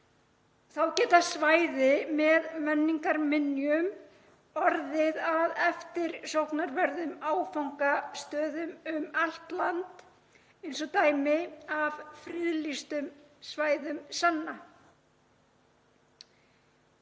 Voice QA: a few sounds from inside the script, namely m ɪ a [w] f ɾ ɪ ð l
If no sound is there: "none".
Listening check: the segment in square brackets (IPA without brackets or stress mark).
v